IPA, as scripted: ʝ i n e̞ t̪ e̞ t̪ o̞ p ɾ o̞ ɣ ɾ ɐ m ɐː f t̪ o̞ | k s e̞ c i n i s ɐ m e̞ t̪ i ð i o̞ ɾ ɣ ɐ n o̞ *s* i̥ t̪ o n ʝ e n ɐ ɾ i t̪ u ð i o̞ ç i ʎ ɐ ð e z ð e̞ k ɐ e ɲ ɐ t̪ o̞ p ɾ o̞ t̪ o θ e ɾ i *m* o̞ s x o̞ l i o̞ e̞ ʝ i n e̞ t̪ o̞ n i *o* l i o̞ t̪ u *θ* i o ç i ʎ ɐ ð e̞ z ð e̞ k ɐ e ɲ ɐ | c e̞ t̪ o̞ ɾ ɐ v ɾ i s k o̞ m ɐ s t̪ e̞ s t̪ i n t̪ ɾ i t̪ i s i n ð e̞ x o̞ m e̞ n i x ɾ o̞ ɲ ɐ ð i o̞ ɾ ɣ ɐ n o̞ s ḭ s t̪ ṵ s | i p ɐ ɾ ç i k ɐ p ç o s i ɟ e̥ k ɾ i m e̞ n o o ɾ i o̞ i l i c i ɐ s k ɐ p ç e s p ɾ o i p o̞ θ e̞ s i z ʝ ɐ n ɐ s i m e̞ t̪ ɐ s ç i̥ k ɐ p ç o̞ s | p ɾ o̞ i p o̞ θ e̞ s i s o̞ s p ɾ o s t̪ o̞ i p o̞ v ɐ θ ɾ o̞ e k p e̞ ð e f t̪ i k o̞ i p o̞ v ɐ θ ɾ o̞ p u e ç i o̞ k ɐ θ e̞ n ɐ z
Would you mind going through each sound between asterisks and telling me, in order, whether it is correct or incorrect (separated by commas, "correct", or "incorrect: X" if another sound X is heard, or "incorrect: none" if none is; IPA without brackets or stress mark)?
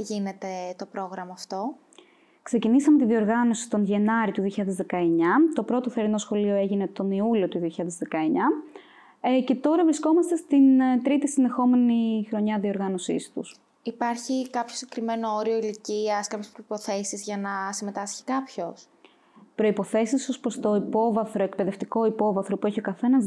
correct, incorrect: n, incorrect: u, incorrect: ð